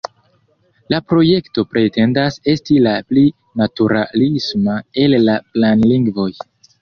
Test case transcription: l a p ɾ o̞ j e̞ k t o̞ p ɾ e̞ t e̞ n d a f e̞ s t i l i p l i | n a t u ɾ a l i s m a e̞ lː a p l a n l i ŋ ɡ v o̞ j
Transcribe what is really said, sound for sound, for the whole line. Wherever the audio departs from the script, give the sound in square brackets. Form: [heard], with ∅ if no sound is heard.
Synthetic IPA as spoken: l a p ɾ o̞ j e̞ k t o̞ p ɾ e̞ t e̞ n d a [s] e̞ s t i l [a] p l i | n a t u ɾ a l i s m a e̞ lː a p l a n l i ŋ ɡ v o̞ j